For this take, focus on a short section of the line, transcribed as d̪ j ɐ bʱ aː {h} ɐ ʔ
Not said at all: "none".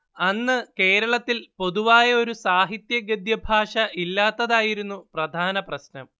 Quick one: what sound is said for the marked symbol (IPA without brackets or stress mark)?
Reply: ʂ